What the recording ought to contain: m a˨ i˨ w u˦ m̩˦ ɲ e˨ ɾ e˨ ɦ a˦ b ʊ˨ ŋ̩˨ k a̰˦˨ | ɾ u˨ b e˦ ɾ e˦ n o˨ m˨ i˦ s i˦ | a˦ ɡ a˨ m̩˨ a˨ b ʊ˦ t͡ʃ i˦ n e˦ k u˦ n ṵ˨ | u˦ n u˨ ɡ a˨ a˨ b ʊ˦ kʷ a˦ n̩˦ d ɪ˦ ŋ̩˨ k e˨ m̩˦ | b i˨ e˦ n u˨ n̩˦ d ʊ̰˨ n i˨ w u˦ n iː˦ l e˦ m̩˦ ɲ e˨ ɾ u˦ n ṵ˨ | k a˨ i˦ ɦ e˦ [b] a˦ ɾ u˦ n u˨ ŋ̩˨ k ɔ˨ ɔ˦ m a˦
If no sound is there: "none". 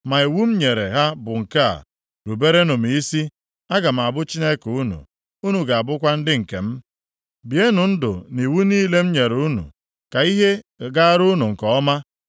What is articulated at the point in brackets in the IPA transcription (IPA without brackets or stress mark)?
ɡ